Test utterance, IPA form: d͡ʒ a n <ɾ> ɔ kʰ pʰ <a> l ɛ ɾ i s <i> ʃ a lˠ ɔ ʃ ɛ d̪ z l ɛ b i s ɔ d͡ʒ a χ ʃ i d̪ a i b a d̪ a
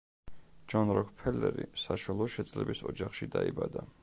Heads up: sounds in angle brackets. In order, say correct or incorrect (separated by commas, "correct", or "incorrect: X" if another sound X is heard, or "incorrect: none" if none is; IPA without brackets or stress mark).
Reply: correct, incorrect: ɛ, incorrect: a